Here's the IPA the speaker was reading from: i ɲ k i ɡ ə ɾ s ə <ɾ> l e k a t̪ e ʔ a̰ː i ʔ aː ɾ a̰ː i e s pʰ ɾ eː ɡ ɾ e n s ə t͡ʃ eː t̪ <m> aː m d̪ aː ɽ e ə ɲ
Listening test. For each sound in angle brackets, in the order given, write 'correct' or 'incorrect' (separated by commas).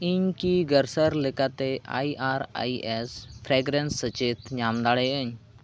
correct, incorrect